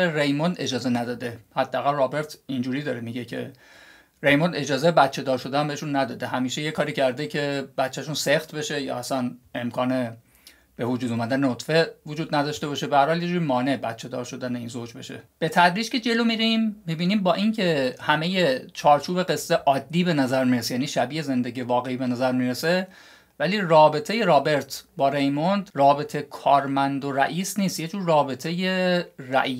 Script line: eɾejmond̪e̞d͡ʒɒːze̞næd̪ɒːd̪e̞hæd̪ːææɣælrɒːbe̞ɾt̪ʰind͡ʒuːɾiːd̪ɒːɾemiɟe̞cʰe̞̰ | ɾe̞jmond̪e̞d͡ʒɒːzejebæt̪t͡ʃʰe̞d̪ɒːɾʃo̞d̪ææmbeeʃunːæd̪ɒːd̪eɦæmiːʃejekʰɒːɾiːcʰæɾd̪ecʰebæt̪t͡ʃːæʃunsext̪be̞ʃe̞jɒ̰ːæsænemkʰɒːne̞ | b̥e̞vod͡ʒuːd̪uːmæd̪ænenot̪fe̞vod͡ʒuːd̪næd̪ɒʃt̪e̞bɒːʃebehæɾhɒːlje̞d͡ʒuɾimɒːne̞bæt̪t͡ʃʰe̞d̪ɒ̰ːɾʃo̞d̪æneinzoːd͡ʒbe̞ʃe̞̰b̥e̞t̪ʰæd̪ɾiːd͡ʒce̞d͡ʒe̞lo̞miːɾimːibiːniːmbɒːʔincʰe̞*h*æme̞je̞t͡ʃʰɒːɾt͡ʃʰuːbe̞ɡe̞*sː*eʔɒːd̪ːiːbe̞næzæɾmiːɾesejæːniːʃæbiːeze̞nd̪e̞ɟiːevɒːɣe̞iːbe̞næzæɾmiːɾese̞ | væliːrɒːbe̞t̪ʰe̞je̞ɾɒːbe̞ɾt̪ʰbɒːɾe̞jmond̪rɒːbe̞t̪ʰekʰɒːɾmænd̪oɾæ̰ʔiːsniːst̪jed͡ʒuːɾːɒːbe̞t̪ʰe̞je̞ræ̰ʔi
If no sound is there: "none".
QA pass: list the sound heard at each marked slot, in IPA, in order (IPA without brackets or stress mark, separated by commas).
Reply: h, sː